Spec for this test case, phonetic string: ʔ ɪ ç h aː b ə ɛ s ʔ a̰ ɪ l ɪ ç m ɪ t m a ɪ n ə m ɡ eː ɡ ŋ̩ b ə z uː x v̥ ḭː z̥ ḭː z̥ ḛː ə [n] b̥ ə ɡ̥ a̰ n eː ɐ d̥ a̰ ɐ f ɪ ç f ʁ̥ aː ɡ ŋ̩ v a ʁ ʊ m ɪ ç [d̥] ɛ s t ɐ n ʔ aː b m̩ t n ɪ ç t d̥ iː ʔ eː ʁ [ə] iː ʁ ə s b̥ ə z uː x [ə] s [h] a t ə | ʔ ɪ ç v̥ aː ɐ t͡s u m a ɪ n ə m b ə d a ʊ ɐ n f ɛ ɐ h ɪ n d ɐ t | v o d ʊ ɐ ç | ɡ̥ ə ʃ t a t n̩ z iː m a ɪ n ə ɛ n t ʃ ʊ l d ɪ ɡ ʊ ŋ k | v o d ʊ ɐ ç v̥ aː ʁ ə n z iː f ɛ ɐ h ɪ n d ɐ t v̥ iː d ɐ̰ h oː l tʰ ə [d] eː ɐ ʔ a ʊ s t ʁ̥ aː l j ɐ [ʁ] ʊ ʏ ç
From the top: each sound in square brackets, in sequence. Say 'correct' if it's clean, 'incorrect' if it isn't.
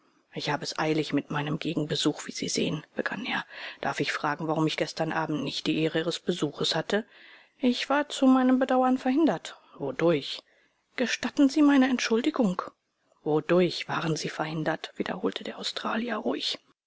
correct, incorrect: ɡ̥, correct, correct, correct, correct, correct

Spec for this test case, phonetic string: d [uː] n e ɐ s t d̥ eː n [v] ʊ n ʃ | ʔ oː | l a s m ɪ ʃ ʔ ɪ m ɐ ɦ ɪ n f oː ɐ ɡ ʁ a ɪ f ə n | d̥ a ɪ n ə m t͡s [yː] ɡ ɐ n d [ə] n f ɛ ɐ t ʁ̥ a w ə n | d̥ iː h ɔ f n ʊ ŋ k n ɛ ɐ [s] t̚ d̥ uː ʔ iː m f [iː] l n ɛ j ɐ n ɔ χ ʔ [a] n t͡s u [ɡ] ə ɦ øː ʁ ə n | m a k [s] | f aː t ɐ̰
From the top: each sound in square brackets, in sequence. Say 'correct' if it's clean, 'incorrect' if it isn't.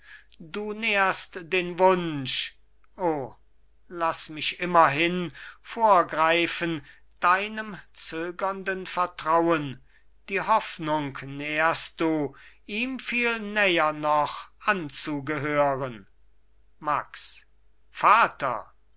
correct, correct, incorrect: øː, correct, correct, correct, correct, correct, correct

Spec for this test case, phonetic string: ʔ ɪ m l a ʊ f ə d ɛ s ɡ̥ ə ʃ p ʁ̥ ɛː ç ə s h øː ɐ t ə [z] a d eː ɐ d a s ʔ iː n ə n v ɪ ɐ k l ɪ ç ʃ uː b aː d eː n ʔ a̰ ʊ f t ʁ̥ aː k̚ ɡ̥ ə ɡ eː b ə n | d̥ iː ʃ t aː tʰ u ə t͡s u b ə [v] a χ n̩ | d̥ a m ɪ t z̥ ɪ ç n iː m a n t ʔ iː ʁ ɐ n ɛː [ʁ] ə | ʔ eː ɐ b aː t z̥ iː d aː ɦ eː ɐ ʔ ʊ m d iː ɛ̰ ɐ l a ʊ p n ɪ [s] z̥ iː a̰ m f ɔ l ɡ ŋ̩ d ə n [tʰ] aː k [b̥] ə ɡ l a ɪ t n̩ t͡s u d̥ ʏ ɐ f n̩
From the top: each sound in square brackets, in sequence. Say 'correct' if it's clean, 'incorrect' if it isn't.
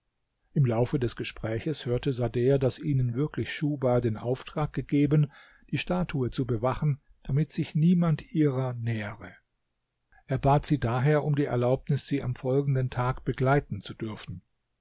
correct, correct, correct, correct, correct, correct

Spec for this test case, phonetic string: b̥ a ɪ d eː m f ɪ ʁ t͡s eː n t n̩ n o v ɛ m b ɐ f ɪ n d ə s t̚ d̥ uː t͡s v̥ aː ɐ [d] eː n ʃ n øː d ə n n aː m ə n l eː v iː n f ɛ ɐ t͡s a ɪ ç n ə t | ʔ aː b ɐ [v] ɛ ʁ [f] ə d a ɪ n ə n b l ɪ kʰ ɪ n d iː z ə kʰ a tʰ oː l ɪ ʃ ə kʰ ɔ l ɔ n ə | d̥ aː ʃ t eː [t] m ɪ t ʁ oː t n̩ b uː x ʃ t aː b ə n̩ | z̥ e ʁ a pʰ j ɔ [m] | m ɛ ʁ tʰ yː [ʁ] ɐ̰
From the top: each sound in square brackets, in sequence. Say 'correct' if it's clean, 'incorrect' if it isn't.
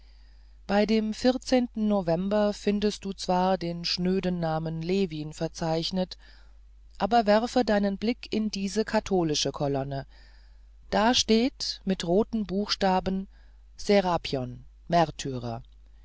correct, correct, correct, correct, incorrect: n, correct

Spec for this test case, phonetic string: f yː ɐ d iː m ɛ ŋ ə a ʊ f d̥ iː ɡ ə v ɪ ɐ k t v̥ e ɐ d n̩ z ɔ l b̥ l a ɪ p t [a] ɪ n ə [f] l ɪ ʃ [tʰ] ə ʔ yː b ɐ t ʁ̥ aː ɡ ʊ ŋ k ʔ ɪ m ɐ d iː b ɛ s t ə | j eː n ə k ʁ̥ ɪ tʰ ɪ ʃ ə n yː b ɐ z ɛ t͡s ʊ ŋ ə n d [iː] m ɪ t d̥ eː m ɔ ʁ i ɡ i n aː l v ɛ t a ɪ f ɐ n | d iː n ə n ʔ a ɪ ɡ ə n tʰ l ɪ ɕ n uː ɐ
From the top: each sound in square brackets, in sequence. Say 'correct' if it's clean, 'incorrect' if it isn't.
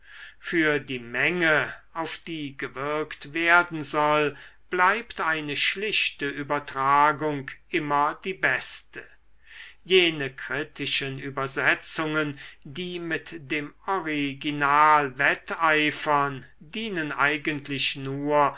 correct, incorrect: ʃ, incorrect: t, correct

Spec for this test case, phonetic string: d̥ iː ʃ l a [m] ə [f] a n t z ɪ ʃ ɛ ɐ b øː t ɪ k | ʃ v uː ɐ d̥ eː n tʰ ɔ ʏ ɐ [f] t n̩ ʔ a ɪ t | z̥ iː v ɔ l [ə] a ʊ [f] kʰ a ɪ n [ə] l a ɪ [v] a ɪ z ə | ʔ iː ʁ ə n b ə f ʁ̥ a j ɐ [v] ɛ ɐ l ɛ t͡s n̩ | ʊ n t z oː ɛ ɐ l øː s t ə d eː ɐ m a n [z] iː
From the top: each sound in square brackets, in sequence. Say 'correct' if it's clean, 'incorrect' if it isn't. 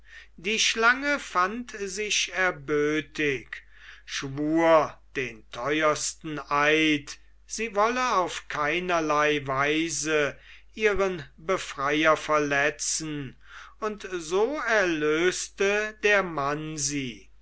incorrect: ŋ, correct, incorrect: s, correct, correct, incorrect: ɐ, correct, incorrect: f, correct

